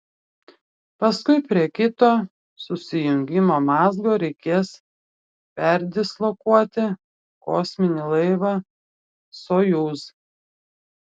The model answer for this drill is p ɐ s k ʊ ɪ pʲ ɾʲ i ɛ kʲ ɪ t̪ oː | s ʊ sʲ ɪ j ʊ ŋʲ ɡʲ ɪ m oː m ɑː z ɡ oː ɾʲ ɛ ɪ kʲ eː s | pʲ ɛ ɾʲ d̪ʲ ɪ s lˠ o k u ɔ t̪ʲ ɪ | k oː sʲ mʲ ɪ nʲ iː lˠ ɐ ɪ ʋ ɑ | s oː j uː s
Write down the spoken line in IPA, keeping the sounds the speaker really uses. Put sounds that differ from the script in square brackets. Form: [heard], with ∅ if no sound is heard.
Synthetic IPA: p ɐ s k ʊ ɪ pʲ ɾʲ i ɛ kʲ ɪ t̪ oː | s ʊ sʲ ɪ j ʊ ŋʲ ɡʲ ɪ m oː m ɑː z ɡ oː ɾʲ ɛ ɪ kʲ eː s | pʲ ɛ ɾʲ d̪ʲ ɪ s lˠ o k u ɔ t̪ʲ ɪ | k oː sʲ mʲ ɪ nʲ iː lˠ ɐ ɪ ʋ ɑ | s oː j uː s